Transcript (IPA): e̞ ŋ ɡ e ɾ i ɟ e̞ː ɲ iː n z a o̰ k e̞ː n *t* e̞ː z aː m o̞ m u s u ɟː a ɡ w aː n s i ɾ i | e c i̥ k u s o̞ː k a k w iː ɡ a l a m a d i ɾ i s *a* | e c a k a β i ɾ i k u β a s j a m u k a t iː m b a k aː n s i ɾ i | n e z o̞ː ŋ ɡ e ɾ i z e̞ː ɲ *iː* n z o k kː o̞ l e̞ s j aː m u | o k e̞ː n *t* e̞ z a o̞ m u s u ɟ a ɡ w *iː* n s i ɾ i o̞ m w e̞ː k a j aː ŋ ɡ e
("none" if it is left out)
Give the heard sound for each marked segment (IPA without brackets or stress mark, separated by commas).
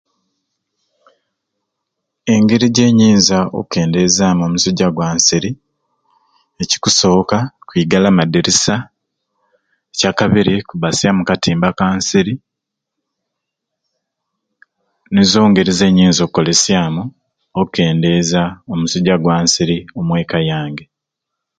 d, a, iː, d, aː